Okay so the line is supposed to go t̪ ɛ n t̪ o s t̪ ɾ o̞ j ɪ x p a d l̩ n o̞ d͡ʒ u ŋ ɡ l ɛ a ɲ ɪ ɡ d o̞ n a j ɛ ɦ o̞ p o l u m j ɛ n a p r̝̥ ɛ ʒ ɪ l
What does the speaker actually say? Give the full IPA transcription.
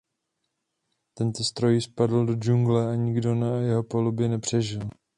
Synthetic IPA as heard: t̪ ɛ n t̪ o s t̪ ɾ o̞ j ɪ s p a d l̩ d o̞ d͡ʒ u ŋ ɡ l ɛ a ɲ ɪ ɡ d o̞ n a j ɛ ɦ o̞ p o l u b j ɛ n ɛ p r̝̥ ɛ ʒ ɪ l